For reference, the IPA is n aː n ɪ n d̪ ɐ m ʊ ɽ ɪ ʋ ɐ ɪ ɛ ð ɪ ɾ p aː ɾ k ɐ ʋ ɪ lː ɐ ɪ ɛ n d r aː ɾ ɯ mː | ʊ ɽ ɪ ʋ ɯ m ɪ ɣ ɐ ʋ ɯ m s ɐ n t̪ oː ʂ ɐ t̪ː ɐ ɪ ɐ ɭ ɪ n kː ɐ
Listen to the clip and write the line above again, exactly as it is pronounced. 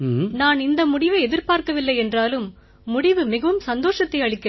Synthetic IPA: n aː n ɪ n d̪ ɐ m ʊ ɽ ɪ ʋ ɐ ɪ ɛ ð ɪ ɾ p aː ɾ k ɐ ʋ ɪ lː ɐ ɪ ɛ n d r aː l ɯ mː | ʊ ɽ ɪ ʋ ɯ m ɪ ɣ ɐ ʋ ɯ m s ɐ n d̪ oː ʂ ɐ t̪ː ɐ ɪ ɐ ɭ ɪ kː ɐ